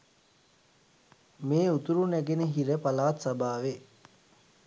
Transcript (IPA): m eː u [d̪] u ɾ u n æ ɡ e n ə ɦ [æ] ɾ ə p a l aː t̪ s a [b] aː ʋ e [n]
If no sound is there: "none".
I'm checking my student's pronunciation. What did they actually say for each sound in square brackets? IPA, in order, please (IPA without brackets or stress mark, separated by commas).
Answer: t̪, i, b, none